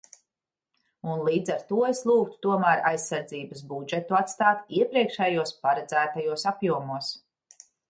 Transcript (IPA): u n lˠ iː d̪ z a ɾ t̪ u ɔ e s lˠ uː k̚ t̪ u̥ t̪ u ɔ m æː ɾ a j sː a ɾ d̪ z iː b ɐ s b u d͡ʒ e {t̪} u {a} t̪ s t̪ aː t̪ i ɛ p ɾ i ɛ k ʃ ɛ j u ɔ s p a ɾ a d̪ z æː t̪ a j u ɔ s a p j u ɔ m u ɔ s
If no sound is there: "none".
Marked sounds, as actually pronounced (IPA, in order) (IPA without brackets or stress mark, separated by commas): t̪, a